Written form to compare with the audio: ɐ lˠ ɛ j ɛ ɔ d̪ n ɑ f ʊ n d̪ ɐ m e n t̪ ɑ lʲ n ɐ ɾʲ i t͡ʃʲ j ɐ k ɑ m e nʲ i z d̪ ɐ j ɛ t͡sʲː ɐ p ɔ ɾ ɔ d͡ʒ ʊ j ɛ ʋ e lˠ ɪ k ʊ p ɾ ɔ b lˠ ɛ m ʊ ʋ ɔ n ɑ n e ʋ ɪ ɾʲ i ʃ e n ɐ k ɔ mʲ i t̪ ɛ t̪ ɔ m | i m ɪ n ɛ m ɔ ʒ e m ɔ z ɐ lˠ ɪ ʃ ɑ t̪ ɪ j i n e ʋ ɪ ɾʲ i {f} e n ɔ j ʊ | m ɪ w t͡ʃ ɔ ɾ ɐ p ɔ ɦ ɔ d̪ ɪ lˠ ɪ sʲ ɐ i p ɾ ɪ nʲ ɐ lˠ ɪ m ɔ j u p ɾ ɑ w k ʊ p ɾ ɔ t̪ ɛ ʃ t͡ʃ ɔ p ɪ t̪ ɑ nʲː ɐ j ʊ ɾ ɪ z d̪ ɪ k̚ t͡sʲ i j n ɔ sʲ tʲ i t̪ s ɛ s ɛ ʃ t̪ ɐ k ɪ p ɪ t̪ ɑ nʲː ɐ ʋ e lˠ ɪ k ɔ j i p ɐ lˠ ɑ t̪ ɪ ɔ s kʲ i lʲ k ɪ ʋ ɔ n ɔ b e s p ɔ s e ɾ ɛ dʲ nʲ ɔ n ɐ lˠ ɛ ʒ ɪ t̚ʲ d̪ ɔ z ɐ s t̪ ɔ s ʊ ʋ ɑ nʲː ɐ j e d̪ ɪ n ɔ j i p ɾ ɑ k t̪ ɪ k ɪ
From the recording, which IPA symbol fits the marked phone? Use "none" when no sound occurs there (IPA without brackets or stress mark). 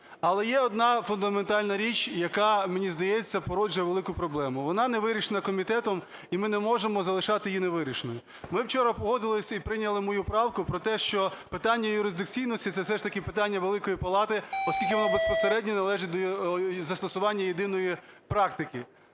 ʃ